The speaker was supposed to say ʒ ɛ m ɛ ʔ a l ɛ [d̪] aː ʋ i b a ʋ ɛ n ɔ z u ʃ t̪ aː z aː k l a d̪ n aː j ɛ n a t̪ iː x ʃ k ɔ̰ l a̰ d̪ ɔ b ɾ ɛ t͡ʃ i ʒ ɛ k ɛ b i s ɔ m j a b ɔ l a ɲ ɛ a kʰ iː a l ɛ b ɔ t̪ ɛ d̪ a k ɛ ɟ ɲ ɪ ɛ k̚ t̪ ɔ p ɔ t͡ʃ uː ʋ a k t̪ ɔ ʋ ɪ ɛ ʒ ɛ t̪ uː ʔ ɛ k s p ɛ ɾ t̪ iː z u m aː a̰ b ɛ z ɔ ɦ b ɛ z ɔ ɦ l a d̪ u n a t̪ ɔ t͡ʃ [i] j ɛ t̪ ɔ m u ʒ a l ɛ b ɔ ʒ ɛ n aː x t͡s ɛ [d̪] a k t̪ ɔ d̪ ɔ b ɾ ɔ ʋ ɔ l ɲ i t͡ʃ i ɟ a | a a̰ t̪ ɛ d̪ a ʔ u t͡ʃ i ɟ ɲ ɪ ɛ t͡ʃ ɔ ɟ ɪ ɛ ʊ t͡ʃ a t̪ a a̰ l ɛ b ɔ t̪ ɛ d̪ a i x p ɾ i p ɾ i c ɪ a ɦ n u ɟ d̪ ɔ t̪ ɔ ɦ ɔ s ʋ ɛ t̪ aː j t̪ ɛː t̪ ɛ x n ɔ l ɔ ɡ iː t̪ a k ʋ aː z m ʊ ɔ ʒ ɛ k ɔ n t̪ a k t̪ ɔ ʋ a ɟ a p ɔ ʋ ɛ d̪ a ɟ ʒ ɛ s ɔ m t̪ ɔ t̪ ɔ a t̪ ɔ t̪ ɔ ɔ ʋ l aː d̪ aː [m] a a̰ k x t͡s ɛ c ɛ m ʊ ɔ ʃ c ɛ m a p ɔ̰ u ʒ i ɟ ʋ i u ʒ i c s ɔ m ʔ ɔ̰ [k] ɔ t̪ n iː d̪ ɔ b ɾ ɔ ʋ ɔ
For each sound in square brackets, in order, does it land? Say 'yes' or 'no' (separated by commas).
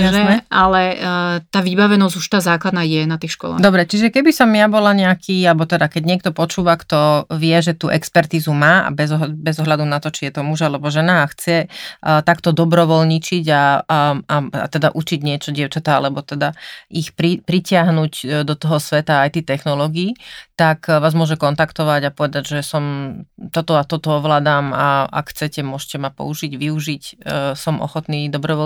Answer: no, yes, no, yes, no